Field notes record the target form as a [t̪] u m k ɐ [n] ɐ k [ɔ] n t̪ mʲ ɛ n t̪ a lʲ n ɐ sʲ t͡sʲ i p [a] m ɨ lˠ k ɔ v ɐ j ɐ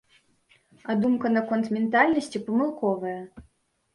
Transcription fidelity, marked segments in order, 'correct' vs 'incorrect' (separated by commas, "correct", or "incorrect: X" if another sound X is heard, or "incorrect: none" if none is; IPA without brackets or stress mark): incorrect: d̪, correct, correct, incorrect: ɐ